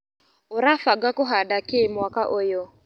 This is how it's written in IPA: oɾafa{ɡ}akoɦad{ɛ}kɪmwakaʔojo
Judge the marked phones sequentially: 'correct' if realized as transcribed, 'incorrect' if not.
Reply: correct, incorrect: a

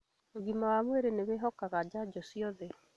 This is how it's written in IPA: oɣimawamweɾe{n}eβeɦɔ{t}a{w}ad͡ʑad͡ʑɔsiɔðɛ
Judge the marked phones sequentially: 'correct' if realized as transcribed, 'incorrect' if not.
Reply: correct, incorrect: k, incorrect: ɣ

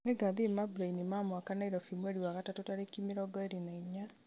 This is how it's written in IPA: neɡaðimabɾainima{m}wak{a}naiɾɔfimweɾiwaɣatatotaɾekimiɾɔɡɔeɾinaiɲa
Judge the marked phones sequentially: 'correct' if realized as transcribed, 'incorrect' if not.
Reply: correct, correct

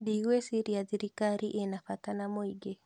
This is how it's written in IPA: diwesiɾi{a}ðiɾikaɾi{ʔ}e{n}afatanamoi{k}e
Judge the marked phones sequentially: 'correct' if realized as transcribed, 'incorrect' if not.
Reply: correct, correct, correct, incorrect: ɡ

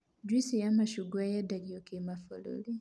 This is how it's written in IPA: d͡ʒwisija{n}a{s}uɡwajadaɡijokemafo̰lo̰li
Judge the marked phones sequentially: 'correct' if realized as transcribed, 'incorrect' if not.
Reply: incorrect: m, incorrect: ʃ

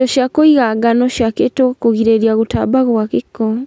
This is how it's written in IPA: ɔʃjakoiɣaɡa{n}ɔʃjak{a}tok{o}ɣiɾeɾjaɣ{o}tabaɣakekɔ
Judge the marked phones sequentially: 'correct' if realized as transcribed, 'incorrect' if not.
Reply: correct, incorrect: e, correct, correct

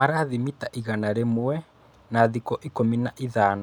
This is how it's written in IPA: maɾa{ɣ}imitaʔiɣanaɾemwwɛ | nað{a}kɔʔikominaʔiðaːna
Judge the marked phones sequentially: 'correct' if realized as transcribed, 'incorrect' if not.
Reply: incorrect: ð, incorrect: i

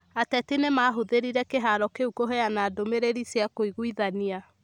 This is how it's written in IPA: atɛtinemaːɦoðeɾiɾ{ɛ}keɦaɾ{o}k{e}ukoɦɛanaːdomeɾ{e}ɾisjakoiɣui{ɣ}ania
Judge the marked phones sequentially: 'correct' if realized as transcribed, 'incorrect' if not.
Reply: correct, incorrect: ɔ, correct, correct, incorrect: ð

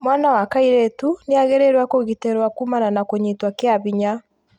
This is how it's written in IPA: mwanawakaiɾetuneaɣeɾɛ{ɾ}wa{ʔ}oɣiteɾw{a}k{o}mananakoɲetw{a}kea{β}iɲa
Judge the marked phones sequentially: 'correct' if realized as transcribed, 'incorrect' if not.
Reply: correct, incorrect: k, correct, incorrect: u, correct, correct

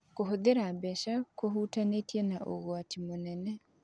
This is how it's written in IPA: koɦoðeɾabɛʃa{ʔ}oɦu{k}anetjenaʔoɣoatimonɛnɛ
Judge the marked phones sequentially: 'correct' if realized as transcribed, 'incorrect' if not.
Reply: incorrect: k, incorrect: t

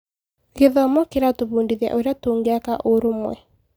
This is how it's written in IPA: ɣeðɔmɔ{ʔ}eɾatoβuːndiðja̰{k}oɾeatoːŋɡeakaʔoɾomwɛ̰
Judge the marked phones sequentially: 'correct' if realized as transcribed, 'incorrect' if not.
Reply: incorrect: k, incorrect: ʔ

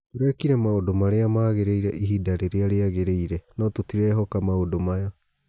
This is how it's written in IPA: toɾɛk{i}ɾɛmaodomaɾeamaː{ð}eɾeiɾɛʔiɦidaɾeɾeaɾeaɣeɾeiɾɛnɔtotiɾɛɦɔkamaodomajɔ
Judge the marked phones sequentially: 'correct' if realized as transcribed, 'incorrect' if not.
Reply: correct, incorrect: ɣ

